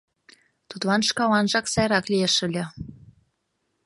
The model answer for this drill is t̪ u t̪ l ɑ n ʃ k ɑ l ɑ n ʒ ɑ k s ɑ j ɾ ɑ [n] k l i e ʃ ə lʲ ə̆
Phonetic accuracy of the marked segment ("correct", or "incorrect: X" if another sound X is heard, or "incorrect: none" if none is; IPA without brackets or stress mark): incorrect: none